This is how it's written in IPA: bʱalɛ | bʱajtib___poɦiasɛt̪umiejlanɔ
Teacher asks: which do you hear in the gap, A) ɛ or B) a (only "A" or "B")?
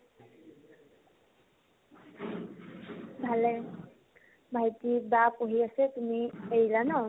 B